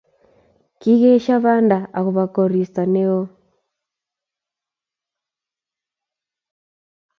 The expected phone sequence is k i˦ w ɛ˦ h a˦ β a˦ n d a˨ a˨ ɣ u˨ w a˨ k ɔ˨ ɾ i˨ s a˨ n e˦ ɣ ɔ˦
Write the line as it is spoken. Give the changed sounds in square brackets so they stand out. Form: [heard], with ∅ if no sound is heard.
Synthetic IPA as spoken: k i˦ [ɣ] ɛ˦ [ʃ] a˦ β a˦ n d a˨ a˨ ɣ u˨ [β] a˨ k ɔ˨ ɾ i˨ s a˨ n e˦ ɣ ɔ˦